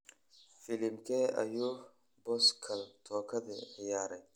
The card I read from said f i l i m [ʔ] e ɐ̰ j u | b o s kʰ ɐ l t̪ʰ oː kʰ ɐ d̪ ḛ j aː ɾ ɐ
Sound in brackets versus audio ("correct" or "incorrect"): incorrect